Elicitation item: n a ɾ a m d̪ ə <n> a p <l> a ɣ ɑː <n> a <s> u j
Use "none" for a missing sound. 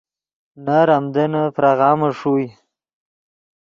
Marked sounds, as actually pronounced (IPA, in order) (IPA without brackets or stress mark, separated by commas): n, ɾ, m, ʂ